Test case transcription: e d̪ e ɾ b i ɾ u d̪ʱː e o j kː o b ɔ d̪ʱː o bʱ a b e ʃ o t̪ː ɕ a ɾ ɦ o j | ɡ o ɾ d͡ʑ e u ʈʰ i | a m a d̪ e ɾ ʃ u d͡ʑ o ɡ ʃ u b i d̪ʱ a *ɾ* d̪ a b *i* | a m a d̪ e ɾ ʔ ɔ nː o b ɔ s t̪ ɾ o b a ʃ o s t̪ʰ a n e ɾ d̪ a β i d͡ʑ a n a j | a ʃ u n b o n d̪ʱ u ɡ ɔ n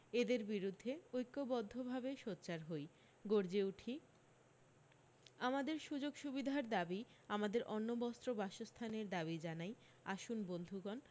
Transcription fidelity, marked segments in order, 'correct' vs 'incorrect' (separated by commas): correct, correct